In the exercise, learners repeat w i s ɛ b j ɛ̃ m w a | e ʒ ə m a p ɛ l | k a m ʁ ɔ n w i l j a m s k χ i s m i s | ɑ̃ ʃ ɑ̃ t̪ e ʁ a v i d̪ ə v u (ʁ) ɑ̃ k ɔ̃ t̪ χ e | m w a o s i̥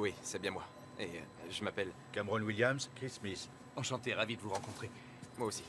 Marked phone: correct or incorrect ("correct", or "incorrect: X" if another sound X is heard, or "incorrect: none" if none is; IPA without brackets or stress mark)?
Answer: correct